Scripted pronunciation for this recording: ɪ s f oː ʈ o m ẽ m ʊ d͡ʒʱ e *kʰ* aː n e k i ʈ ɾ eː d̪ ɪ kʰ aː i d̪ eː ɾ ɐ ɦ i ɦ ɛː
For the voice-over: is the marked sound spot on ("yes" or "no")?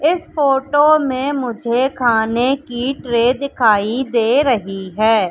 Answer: yes